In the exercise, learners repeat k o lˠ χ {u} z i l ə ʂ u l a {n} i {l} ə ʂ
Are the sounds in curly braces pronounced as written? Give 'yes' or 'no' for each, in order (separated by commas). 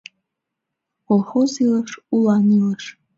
no, yes, yes